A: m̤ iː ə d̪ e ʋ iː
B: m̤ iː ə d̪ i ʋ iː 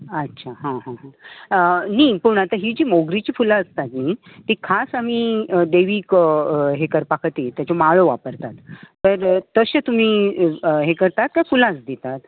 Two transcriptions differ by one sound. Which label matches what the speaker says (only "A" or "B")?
A